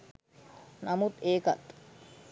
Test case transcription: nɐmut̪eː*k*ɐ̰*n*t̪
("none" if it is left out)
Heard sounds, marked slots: k, none

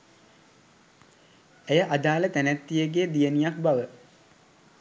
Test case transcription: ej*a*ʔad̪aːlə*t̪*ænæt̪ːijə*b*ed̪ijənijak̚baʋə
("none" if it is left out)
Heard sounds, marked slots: ə, t̪, ɡ

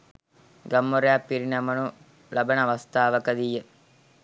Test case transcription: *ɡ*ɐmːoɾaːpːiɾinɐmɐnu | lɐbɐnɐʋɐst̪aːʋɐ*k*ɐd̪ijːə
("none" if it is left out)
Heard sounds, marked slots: ɡ, k

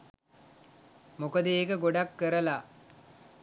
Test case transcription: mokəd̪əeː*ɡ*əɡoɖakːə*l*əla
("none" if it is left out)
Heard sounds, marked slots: k, ɾ

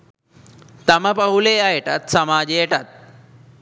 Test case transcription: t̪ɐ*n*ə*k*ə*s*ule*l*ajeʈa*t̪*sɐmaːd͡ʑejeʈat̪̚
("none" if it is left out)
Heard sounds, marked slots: m, p, none, none, t̪

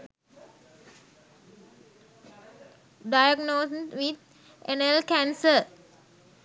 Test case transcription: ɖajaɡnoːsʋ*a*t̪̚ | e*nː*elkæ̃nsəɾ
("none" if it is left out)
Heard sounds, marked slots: i, n

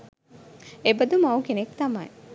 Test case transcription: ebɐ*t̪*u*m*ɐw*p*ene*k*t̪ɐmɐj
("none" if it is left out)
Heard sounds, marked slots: d̪, m, k, k

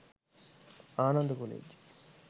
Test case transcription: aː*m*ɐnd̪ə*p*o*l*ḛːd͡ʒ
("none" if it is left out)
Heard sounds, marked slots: n, k, l

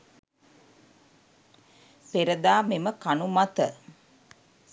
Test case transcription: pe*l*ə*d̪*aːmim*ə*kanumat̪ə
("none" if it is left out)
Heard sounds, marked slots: ɾ, d̪, ə

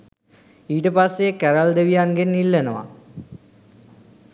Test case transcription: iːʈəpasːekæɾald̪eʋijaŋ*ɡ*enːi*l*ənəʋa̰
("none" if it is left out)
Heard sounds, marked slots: ɡ, lː

